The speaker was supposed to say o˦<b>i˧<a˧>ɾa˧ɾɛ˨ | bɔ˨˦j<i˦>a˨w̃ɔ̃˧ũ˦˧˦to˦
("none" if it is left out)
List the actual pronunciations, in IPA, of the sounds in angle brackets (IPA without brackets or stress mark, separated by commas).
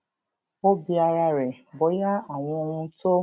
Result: b, a˧, a˦